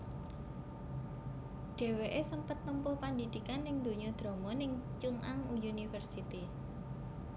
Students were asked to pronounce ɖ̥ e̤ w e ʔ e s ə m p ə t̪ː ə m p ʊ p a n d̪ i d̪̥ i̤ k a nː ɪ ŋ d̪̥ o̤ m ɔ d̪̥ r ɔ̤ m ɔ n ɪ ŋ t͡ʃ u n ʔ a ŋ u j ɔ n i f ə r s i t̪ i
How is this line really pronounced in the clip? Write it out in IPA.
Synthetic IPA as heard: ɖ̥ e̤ w e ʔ e s ə m p ə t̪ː ə m p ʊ p a n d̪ i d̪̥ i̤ k a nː ɪ ŋ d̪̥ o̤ ɲ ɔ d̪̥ ɾ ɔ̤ m ɔ n ɪ ŋ t͡ʃ u ŋ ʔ a ŋ u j u n i f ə r s i t̪ i